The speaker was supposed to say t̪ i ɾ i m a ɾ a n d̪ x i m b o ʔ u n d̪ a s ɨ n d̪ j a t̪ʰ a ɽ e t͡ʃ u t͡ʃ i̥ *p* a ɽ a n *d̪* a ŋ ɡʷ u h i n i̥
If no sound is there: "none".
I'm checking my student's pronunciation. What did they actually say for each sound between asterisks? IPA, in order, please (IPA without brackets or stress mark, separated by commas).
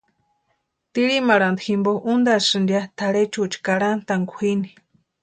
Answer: k, t̪